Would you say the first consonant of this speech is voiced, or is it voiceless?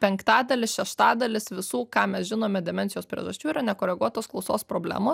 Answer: voiceless